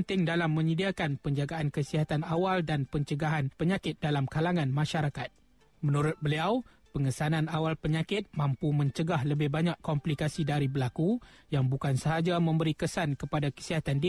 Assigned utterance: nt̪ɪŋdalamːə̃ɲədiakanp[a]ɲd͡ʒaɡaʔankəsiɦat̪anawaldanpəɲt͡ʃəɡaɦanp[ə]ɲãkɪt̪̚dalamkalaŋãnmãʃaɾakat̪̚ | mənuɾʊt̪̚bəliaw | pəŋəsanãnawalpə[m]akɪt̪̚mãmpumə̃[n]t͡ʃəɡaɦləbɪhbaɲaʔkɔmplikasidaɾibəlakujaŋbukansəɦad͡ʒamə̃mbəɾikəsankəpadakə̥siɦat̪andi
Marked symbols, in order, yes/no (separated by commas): no, yes, no, no